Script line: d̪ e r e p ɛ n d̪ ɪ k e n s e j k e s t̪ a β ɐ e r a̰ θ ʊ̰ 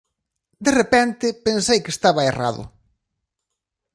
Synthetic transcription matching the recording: d̪ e r e p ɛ n t̪ ɪ p e n s e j k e s t̪ a β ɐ e r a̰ ð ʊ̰